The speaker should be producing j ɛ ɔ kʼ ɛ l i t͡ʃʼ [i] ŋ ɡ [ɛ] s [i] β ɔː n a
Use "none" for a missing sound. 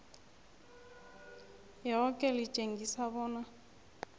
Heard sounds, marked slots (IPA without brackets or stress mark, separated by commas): e, i, a